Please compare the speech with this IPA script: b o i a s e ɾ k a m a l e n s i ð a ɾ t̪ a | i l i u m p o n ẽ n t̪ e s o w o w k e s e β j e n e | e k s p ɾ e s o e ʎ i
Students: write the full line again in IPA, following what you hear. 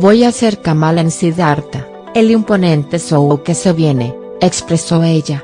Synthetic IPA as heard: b o j a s e ɾ k a m a l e n s i ð a ɾ t̪ a | e l i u m p o n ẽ n t̪ e s o w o w k e s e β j e n e | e k s p ɾ e s o e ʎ a